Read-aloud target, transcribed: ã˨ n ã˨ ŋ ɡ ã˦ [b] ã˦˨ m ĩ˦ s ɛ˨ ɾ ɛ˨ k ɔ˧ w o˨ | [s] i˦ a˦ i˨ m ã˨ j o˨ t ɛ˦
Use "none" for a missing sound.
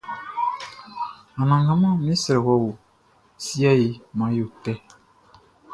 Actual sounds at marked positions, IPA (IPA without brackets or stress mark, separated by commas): m, s